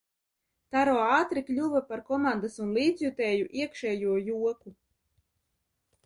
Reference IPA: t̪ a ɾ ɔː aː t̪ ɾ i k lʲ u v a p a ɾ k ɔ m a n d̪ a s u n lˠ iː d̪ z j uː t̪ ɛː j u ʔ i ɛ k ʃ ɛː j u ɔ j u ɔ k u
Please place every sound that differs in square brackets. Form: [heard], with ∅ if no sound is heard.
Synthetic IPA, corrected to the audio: t̪ a ɾ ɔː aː t̪ ɾ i k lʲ u v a p a ɾ k ɔ m a n d̪ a s u n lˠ iː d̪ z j [u] t̪ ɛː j u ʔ i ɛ k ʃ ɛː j u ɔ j u ɔ k u